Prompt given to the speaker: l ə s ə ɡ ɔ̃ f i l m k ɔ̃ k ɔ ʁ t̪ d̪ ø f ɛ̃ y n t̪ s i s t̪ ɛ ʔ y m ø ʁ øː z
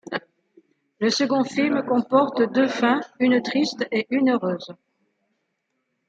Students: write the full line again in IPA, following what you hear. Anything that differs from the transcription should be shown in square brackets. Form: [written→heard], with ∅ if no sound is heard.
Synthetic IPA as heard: l ə s ə ɡ ɔ̃ f i l m k ɔ̃ [k→p] ɔ ʁ t̪ d̪ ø f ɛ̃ y n t̪ [s→χ] i s t̪ [ɛ→e] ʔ y [m→n] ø ʁ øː z